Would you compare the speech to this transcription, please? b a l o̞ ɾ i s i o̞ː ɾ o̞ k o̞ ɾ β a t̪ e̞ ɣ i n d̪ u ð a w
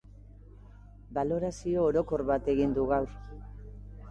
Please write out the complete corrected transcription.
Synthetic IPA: b a l o̞ ɾ a s i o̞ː ɾ o̞ k o̞ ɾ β a t̪ e̞ ɣ i n d̪ u ɣ a w